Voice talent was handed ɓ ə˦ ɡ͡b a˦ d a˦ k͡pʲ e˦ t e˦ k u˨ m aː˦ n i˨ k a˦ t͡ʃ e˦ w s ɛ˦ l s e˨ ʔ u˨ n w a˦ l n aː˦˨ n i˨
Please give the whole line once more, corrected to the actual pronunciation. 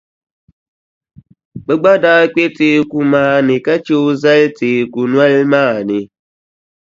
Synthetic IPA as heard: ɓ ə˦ ɡ͡b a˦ d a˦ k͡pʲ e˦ t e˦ k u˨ m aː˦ n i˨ k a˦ t͡ʃ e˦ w z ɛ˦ l t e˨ k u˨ n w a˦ l m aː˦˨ n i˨